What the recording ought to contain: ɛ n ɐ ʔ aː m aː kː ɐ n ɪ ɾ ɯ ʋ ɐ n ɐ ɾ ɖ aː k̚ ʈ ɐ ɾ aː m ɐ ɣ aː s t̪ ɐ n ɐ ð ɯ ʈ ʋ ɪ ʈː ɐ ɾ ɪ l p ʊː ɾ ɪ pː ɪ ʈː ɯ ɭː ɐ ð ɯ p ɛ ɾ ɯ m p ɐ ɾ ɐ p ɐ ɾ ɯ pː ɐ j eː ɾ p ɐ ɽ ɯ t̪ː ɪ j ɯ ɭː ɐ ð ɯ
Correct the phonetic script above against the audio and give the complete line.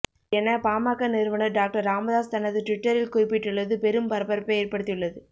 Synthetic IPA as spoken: ɛ n ɐ p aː m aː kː ɐ n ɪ ɾ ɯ ʋ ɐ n ɐ ɾ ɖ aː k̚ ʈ ɐ ɾ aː m ɐ ð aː s t̪ ɐ n ɐ ð ɯ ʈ ʋ ɪ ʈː ɐ ɾ ɪ l k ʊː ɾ ɪ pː ɪ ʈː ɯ ɭː ɐ ð ɯ p ɛ ɾ ɯ m p ɐ ɾ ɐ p ɐ ɾ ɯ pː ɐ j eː ɾ p ɐ ɽ ɯ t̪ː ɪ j ɯ ɭː ɐ ð ɯ